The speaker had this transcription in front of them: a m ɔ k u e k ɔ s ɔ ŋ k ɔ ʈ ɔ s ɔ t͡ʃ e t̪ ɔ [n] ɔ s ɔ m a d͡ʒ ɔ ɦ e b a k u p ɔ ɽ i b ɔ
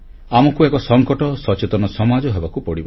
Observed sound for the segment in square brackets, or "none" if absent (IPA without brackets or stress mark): n